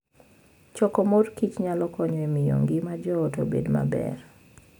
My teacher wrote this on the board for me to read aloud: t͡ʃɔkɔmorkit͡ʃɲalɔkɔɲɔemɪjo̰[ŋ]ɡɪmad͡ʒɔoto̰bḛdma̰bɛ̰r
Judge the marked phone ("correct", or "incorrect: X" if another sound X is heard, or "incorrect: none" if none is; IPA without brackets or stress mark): correct